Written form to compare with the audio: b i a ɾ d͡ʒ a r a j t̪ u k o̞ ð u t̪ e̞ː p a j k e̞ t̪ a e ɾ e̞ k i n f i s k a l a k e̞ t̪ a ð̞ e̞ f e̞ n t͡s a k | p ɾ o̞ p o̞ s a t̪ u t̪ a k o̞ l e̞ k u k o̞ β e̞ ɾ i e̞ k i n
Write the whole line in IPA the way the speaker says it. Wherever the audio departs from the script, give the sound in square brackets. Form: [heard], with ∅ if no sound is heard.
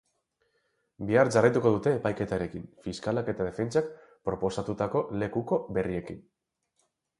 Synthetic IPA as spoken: b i a ɾ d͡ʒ a r a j t̪ u k o̞ ð u t̪ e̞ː p a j k e̞ t̪ a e ɾ e̞ k i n f i s k a l a k e̞ t̪ a ð̞ e̞ f e̞ n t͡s a k | p ɾ o̞ p o̞ s a t̪ u t̪ a k o̞ l e̞ k u k o̞ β e̞ [r] i e̞ k i n